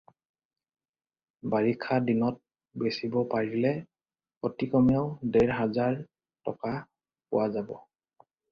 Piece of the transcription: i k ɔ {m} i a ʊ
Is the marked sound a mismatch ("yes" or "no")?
no